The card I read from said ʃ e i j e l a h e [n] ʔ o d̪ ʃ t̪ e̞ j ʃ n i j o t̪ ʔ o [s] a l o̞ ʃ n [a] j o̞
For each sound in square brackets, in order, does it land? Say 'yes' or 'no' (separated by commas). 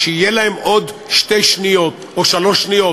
no, no, no